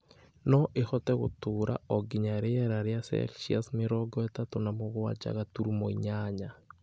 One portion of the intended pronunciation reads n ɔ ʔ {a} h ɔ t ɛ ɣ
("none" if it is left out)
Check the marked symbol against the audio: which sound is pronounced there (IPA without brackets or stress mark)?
e